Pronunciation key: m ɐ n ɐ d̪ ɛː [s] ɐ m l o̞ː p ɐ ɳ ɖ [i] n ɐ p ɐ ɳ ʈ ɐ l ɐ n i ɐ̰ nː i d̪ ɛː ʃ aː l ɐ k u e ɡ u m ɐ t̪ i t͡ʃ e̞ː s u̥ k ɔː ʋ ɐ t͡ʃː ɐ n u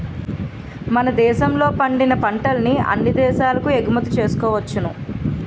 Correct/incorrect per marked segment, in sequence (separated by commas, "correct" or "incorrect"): incorrect, correct